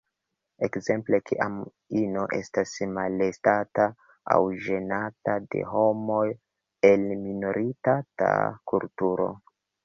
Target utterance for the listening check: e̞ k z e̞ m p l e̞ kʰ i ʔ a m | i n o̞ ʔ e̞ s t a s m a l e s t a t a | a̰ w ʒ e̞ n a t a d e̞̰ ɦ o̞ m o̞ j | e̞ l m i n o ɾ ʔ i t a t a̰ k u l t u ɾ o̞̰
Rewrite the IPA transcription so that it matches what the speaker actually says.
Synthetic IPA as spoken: e̞ k z e̞ m p l e̞ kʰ i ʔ a m | i n o̞ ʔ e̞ s t a s m a l e s t a t a | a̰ w ʒ e̞ n a t a d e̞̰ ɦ o̞ m o̞ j | e̞ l m i n o ɾ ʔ i t a t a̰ k u l t u ɾ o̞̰